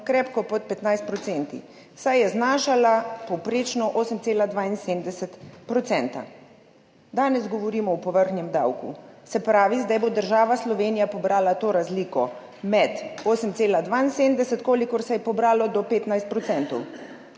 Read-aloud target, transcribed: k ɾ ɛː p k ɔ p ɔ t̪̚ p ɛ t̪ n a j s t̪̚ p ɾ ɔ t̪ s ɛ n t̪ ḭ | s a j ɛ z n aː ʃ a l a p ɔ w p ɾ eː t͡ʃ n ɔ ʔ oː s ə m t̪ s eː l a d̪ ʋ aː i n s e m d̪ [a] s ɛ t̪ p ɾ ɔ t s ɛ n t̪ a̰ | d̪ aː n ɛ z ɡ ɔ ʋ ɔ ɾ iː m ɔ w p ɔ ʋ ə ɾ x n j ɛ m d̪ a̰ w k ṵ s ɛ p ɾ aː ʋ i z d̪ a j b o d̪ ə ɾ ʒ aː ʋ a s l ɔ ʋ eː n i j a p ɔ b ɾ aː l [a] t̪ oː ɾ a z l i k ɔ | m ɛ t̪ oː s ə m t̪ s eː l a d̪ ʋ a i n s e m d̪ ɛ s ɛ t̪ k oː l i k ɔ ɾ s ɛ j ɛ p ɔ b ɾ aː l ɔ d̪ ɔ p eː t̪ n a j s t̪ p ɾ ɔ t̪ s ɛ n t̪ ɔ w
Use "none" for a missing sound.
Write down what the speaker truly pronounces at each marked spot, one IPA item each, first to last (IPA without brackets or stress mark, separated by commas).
ɛ, a